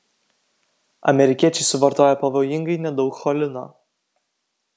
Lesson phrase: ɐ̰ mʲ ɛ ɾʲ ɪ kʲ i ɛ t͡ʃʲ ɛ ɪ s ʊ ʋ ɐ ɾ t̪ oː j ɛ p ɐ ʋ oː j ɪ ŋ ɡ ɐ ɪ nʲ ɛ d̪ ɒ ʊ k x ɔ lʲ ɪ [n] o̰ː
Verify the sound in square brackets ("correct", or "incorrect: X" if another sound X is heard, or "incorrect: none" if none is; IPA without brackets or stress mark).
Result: correct